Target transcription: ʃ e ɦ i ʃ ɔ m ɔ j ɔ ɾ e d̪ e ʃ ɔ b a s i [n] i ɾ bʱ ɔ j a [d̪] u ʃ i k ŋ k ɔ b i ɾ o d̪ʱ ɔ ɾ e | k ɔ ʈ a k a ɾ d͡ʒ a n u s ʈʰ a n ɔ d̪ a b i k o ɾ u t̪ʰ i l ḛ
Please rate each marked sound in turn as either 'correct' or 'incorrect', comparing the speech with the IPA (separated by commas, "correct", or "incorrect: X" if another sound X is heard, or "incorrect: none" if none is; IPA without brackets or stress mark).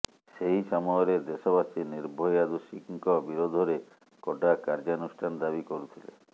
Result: correct, correct